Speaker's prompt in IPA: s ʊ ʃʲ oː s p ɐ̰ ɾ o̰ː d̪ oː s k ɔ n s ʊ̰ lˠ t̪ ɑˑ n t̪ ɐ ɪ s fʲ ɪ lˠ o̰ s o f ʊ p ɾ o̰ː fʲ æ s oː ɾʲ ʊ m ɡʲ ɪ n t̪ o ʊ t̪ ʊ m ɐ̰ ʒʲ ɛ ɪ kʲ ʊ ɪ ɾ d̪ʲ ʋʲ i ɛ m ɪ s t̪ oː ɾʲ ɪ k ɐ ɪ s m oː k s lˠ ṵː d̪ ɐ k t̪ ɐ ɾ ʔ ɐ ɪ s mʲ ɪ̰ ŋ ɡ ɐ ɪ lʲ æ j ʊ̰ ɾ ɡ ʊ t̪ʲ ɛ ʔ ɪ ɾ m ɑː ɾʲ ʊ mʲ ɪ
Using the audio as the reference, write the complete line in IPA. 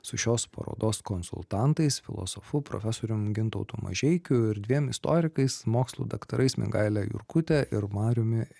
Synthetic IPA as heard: s ʊ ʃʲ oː s p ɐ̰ ɾ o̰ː d̪ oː s k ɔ n s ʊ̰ lˠ t̪ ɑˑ n t̪ ɐ ɪ s fʲ ɪ lˠ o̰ s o f ʊ p ɾ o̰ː fʲ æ s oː ɾʲ ʊ m ɡʲ ɪ n t̪ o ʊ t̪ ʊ m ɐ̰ ʒʲ ɛ ɪ kʲ ʊ ɪ ɾ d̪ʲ ʋʲ i ɛ m ɪ s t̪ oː ɾʲ ɪ k ɐ ɪ s m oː k s lˠ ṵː d̪ ɐ k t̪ ɐ ɾ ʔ ɐ ɪ s mʲ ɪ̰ ŋ ɡ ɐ ɪ lʲ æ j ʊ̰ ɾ k ʊ t̪ʲ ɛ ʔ ɪ ɾ m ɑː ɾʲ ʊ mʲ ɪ